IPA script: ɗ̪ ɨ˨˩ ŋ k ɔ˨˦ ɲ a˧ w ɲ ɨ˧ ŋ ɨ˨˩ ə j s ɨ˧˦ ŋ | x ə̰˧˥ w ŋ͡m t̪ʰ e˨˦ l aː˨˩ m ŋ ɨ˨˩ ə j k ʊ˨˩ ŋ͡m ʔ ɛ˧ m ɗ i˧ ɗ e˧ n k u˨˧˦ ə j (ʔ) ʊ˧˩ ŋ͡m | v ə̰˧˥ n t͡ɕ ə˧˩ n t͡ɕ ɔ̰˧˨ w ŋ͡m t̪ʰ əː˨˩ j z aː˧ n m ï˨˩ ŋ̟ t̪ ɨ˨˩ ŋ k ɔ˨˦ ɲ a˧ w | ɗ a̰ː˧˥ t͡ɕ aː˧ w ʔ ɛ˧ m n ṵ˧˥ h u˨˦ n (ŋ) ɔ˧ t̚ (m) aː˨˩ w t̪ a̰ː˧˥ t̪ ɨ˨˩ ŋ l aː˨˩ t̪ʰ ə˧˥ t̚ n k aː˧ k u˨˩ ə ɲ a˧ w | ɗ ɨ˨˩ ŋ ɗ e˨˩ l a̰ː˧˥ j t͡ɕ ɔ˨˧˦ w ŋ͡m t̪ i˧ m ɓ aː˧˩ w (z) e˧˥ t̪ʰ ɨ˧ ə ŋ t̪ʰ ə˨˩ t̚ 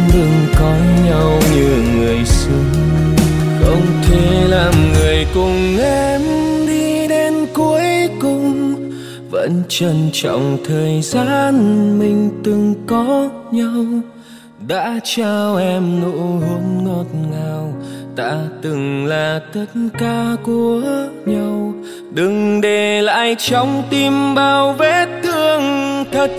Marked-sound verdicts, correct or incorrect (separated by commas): incorrect, correct, incorrect, incorrect